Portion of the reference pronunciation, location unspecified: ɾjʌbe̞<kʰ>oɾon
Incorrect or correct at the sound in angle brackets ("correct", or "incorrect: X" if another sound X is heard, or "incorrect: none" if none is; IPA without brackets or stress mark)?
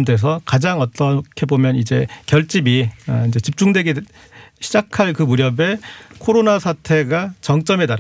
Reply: correct